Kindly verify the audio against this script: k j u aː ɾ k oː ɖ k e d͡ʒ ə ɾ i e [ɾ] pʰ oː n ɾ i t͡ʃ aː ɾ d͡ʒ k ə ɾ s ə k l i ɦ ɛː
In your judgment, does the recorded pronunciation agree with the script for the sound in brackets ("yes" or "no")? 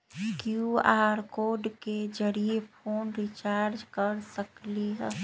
no